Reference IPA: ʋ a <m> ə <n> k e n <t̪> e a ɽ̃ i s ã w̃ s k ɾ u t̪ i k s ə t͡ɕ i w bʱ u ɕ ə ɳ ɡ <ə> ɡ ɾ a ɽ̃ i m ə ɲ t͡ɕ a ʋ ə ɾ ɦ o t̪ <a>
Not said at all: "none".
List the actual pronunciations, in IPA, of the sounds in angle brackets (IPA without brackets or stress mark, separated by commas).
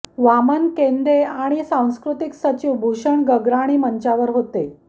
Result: m, n, d̪, ə, e